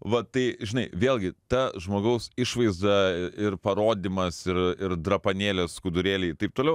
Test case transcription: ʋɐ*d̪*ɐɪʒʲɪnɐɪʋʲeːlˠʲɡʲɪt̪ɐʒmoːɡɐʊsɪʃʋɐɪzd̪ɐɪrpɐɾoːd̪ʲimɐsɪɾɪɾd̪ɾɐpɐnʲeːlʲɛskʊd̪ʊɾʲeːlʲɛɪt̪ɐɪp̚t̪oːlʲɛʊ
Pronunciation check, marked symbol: incorrect: t̪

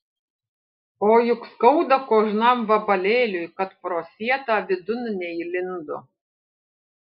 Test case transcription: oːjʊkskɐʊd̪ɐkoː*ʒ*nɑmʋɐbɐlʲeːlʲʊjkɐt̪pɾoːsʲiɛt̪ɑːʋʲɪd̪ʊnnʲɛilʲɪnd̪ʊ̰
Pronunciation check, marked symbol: correct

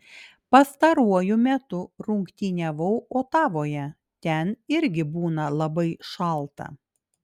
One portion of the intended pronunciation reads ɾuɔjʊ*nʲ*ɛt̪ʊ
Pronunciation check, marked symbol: incorrect: mʲ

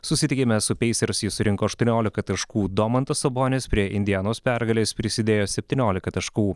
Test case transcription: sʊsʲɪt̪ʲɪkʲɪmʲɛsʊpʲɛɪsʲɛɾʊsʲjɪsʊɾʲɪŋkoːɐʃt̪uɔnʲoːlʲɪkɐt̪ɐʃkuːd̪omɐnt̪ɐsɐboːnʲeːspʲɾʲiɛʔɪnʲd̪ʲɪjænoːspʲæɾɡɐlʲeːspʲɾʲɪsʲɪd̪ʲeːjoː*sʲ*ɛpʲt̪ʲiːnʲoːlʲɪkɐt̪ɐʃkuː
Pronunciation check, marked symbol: correct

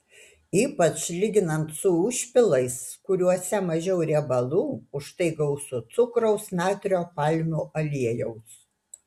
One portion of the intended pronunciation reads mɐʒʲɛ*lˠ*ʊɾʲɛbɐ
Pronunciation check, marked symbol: incorrect: none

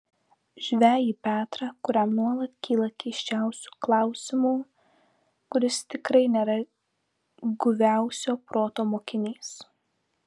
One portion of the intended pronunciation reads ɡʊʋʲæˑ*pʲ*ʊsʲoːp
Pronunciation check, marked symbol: incorrect: none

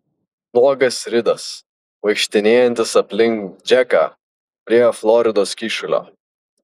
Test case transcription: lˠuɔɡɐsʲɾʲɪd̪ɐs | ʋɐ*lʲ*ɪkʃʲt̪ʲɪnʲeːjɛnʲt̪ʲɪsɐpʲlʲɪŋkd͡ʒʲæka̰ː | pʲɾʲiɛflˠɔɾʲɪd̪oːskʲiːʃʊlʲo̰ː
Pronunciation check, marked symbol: incorrect: none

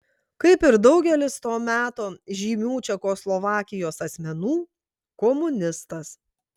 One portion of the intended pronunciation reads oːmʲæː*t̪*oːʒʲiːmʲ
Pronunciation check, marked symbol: correct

